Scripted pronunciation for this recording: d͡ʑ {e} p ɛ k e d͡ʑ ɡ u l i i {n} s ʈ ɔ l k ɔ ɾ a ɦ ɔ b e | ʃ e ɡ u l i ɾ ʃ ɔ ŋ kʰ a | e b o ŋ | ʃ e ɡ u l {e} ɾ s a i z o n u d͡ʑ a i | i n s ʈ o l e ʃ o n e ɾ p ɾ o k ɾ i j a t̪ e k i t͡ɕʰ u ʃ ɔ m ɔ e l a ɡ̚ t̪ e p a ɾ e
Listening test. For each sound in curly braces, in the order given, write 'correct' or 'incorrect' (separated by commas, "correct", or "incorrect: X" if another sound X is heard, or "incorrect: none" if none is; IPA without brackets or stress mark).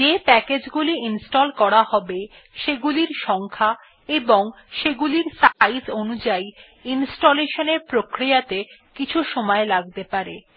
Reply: correct, correct, incorrect: i